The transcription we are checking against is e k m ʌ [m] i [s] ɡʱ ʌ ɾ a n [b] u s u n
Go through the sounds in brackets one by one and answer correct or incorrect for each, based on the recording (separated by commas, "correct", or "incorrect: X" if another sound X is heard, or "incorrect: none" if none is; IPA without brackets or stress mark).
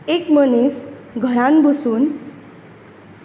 incorrect: n, correct, correct